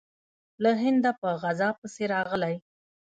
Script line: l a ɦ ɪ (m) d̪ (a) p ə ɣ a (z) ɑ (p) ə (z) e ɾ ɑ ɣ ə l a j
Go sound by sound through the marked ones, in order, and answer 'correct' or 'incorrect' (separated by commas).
incorrect, correct, correct, correct, incorrect